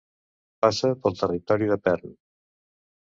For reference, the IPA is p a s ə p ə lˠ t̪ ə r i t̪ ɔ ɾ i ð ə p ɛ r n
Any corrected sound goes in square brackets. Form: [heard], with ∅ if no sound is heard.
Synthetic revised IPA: p a s ə p ə lˠ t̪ ə r i t̪ ɔ ɾ i ð ə p ɛ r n